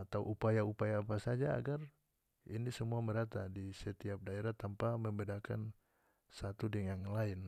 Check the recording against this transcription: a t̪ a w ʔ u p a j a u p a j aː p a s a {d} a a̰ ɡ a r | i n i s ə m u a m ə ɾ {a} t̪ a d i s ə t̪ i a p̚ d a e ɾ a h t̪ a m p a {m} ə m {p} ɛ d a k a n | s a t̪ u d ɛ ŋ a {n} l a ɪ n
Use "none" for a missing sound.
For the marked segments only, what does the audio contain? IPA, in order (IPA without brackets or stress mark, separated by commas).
d͡ʒ, a, m, b, ŋ